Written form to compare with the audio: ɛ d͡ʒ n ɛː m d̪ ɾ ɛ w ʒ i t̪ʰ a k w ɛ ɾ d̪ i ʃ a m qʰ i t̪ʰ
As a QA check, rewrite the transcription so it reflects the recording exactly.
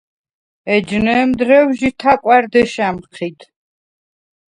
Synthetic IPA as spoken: ɛ d͡ʒ n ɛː m d̪ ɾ ɛ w ʒ i t̪ʰ a kʼ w a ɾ d̪ ɛ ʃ a m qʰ i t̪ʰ

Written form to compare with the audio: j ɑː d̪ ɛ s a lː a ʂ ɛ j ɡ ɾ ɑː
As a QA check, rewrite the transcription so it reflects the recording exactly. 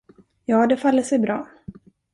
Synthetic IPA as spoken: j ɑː d̪ ɛ f a lː ə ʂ ɛ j b ɾ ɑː

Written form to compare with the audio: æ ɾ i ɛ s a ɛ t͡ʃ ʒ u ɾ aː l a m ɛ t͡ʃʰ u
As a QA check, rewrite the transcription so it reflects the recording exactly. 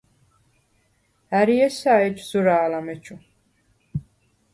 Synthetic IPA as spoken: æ ɾ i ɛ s a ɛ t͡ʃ z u ɾ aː l a m ɛ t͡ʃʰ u

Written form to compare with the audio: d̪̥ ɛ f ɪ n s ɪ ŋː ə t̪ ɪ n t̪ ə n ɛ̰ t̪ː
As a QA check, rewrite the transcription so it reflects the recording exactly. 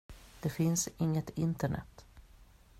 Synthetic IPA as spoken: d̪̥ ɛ f ɪ n s ɪ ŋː ə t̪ ɪ n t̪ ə ɳ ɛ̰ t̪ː

